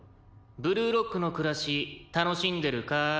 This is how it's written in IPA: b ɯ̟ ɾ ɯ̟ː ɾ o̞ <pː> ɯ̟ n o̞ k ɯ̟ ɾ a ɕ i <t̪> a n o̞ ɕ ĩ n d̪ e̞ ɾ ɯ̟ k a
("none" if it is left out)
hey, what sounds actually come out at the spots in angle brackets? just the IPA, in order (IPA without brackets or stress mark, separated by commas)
kː, t̪